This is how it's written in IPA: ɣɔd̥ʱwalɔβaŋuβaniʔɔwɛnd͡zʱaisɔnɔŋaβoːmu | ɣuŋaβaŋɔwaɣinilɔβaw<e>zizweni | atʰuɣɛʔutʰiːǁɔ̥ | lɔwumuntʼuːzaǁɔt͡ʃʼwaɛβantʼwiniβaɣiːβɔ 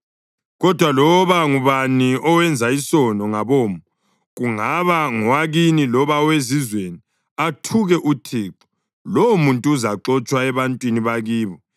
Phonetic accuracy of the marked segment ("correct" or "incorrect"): correct